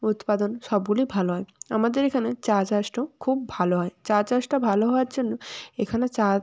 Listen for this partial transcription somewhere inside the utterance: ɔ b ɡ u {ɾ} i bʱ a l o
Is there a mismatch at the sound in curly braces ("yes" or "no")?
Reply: yes